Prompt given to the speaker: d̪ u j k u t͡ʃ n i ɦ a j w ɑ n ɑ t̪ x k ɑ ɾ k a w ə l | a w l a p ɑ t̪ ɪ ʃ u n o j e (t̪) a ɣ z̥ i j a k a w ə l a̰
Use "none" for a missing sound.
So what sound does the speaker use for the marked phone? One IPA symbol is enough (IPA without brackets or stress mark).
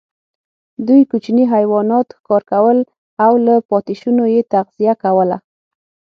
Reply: t̪